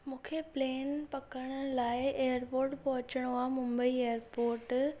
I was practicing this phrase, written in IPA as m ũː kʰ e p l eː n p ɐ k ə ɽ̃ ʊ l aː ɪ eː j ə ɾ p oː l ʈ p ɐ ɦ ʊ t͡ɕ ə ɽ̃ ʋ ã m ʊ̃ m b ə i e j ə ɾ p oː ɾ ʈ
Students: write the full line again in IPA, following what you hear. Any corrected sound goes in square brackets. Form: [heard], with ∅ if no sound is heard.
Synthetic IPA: m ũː kʰ e p l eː n p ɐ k ə ɽ̃ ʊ l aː ɪ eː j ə ɾ p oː [ɾ] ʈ p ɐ ɦ ʊ t͡ɕ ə ɽ̃ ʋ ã m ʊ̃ m b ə i e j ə ɾ p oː ɾ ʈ